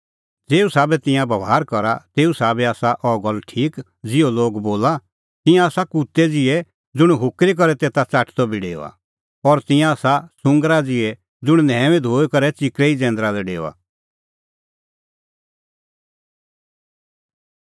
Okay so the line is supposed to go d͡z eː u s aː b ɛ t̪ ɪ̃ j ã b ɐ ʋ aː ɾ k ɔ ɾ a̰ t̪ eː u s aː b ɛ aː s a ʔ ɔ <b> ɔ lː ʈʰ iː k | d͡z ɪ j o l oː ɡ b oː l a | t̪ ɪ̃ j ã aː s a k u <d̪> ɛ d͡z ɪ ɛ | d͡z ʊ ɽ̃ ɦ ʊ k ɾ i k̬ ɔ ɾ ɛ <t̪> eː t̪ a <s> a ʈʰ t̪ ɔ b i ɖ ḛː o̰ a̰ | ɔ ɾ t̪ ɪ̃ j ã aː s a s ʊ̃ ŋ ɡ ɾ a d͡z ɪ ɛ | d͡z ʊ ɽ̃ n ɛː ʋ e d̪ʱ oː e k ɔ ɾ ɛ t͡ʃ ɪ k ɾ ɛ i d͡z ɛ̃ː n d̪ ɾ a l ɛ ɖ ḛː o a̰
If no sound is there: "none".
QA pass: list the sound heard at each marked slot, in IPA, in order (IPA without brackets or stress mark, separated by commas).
ɡ, t̪, t̪, t͡s